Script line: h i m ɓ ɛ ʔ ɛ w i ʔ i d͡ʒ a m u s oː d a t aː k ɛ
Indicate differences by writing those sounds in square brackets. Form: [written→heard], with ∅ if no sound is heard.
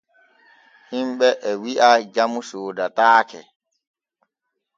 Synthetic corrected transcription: h i m ɓ ɛ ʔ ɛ w i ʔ [i→a] d͡ʒ a m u s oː d a t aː k ɛ

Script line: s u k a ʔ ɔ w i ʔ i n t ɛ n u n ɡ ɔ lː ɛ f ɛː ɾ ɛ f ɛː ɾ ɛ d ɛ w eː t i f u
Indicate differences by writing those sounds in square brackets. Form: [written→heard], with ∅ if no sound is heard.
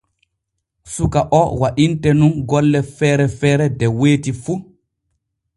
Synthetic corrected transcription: s u k a ʔ ɔ w [i→a] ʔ i n t ɛ n u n ɡ ɔ lː ɛ f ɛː ɾ ɛ f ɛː ɾ ɛ d ɛ w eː t i f u

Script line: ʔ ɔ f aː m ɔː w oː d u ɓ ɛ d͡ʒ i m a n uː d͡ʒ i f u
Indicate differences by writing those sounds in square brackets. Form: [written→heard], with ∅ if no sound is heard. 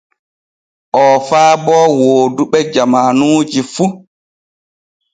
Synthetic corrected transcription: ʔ ɔ f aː [m→b] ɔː w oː d u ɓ ɛ d͡ʒ [i→a] m a n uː d͡ʒ i f u

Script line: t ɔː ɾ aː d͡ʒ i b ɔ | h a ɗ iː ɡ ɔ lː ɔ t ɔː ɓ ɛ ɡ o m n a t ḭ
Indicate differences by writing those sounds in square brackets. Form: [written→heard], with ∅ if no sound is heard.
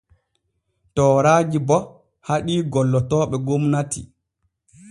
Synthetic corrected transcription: t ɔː ɾ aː d͡ʒ i b ɔ | h a ɗ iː ɡ ɔ lː ɔ t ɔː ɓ ɛ ɡ o m n a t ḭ

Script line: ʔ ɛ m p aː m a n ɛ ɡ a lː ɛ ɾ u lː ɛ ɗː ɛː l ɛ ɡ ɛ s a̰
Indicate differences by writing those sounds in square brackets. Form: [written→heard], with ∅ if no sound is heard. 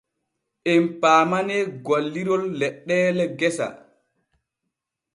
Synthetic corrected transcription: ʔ ɛ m p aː m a n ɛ ɡ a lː [ɛ→i] ɾ [u→ɔ] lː ɛ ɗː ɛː l ɛ ɡ ɛ s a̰

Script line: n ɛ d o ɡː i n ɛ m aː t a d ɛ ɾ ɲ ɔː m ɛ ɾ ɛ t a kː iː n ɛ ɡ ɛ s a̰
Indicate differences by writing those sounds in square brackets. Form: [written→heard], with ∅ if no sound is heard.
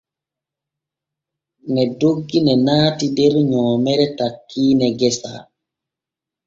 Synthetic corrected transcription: n ɛ d o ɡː i n ɛ [m→n] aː t [a→i] d ɛ ɾ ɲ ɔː m ɛ ɾ ɛ t a kː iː n ɛ ɡ ɛ s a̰

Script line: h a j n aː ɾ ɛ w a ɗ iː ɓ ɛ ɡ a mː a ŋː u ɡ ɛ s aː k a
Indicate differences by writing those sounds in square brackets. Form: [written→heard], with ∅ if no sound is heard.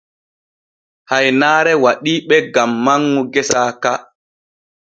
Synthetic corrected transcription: h a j n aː ɾ ɛ w a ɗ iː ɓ ɛ ɡ a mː a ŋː u ɡ ɛ s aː k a

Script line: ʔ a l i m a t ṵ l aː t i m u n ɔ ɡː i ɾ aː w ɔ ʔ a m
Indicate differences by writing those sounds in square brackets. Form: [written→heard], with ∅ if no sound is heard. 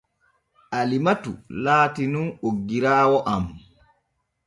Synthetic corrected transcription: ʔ a l i m a t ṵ l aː t i [m→n] u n [ɔ→o] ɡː i ɾ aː w ɔ ʔ a m

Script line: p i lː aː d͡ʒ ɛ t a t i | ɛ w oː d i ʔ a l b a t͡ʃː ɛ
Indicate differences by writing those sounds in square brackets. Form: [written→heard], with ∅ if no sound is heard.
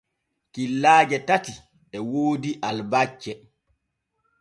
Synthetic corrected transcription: [p→k] i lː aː d͡ʒ ɛ t a t i | ɛ w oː d i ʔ a l b a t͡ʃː ɛ

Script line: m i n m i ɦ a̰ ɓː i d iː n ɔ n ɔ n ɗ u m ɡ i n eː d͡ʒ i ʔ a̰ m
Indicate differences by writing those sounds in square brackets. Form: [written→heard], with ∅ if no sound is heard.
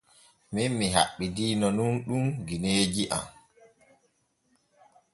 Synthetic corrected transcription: m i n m i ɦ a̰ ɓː i d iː n ɔ n [ɔ→u] n ɗ u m ɡ i n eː d͡ʒ i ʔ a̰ m

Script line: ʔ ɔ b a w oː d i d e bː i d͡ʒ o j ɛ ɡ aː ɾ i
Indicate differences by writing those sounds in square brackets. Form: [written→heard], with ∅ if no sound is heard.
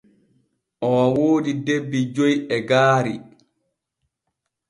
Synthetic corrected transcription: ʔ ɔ [b→w] a w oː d i d e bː i d͡ʒ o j ɛ ɡ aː ɾ i

